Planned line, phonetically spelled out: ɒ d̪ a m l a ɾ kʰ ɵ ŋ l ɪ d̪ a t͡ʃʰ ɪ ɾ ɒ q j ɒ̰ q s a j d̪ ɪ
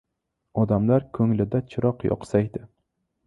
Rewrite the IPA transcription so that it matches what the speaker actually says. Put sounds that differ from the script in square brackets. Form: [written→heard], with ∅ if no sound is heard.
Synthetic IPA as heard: ɒ d̪ a m l a ɾ kʰ ɵ ŋ l ɪ d̪ a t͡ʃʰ ɪ ɾ ɒ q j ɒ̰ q s a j d̪ ɪ